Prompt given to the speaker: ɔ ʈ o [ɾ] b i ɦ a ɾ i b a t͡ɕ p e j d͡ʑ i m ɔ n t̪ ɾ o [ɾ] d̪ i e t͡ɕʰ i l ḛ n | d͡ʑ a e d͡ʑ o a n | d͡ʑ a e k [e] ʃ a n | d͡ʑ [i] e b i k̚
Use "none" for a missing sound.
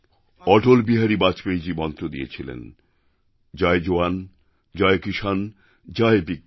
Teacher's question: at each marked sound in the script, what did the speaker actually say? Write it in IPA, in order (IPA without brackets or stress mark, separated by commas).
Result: l, none, i, a